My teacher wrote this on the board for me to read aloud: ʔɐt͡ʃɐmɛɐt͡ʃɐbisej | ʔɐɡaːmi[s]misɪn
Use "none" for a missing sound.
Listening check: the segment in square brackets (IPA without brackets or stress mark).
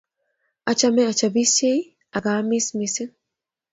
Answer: s